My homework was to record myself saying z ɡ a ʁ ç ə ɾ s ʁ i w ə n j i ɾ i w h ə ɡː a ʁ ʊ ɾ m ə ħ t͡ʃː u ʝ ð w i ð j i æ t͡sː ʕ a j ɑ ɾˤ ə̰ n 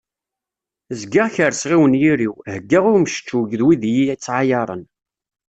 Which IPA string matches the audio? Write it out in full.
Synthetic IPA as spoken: z ɡ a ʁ ç ə ɾ s ʁ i w ə n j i ɾ i w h ə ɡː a ʁ ʊ ɾ m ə ʃ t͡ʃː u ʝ ð w i ð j i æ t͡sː ʕ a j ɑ ɾˤ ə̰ n